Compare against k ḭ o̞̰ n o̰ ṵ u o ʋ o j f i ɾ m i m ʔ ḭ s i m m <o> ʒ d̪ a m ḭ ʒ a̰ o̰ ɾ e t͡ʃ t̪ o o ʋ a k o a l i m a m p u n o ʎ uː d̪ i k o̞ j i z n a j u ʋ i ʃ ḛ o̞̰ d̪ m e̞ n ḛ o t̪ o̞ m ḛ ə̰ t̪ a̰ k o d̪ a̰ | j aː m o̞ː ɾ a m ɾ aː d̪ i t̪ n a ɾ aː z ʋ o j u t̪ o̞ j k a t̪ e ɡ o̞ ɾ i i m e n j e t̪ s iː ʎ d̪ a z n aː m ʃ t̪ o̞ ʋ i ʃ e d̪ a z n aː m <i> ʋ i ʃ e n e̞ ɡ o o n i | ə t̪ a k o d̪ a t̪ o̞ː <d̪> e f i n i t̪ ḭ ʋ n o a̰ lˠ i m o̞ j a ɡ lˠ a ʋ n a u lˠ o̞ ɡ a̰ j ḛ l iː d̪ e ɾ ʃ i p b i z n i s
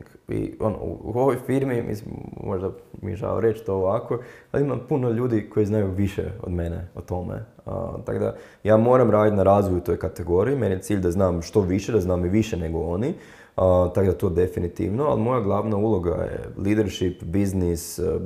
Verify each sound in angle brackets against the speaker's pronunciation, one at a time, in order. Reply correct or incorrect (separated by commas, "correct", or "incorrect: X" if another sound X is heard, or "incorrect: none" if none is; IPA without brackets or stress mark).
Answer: correct, correct, correct